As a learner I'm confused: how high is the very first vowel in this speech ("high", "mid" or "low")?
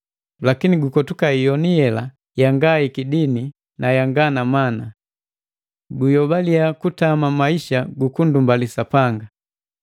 low